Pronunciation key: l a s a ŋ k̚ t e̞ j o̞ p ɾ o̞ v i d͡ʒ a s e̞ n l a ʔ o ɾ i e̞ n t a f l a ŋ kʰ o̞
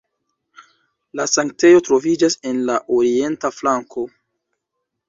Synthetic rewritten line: l a s a ŋ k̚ t e̞ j o̞ t ɾ o̞ v i d͡ʒ a s e̞ n l a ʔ o ɾ i e̞ n t a f l a ŋ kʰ o̞